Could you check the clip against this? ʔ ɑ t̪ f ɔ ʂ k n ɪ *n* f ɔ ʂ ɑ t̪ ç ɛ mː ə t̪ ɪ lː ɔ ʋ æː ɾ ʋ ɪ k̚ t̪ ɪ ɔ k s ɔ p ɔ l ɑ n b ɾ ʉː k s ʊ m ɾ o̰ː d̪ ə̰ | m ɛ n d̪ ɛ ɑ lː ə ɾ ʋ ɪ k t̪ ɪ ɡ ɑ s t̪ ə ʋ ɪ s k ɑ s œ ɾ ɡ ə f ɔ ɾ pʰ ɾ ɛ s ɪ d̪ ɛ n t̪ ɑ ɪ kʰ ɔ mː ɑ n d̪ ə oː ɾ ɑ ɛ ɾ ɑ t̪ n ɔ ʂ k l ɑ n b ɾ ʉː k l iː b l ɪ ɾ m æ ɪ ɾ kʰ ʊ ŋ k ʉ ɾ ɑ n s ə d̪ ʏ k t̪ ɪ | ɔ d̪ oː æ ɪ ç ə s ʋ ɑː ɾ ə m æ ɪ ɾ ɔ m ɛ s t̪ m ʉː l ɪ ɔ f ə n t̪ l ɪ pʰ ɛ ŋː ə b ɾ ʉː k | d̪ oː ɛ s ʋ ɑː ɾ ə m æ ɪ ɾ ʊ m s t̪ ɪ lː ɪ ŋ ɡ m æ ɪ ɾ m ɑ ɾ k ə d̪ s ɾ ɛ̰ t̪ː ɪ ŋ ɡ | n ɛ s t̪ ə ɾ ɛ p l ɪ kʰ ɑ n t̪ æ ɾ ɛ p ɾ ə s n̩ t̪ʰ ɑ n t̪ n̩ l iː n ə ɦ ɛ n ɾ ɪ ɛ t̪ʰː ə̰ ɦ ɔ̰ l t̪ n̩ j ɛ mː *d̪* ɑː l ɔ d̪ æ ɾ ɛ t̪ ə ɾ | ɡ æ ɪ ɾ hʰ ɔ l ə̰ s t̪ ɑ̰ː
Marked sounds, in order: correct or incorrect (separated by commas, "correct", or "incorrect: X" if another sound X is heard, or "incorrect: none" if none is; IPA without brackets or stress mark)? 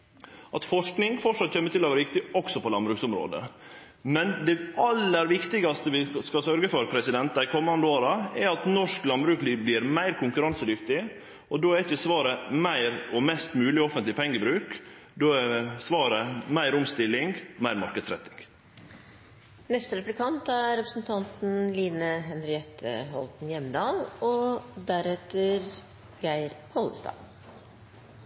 incorrect: ŋ, correct